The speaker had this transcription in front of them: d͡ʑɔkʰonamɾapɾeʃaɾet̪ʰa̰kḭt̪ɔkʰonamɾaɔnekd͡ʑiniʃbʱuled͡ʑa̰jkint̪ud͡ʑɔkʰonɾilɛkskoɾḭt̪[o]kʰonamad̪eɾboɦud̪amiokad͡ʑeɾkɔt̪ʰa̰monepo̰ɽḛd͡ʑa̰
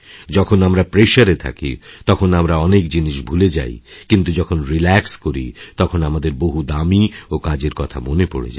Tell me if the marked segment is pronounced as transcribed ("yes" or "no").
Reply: no